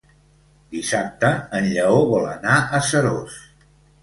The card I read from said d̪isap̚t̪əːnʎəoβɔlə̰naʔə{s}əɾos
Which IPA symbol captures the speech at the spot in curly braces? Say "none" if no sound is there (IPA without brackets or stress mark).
s